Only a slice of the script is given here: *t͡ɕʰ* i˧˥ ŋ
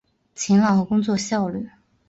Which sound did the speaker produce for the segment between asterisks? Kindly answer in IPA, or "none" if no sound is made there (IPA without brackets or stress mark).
t͡ɕʰ